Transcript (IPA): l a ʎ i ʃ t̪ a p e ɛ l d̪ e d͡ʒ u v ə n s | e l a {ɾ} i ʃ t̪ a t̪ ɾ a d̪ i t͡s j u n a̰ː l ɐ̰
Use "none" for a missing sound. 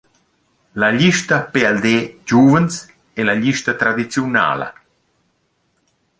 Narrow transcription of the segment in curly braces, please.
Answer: ʎ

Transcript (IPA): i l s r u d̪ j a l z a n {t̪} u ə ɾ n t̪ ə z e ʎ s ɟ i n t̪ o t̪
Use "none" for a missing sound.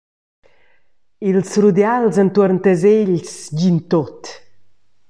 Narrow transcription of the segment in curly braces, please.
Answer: t̪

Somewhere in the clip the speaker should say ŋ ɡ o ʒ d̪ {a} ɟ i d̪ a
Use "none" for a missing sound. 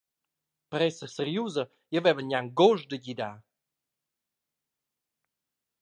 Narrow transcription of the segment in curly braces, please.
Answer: ə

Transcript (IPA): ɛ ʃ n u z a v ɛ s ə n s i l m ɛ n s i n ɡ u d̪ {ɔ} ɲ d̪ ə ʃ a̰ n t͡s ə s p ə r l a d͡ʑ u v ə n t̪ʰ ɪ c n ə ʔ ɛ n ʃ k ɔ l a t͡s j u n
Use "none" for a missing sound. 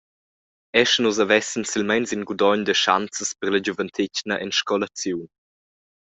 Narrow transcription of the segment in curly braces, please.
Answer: ɔ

